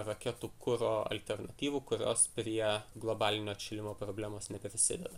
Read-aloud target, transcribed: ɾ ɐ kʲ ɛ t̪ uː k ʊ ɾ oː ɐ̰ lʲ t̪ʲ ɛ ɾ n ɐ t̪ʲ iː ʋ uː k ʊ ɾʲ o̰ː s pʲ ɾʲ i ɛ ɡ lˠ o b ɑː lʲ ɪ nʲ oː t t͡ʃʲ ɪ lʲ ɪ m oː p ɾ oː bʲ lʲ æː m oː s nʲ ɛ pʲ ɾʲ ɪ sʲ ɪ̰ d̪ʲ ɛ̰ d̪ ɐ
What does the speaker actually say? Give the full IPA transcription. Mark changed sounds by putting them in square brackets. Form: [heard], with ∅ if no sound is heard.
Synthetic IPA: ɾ ɐ kʲ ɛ t̪ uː k ʊ ɾ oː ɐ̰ lʲ t̪ʲ ɛ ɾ n ɐ t̪ʲ iː ʋ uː k ʊ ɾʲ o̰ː s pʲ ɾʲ i ɛ ɡ lˠ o b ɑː lʲ ɪ nʲ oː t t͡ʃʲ ɪ lʲ ɪ m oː p ɾ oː bʲ lʲ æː m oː s nʲ ɛ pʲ ɾʲ ɪ sʲ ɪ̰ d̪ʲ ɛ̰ d̪ ɐ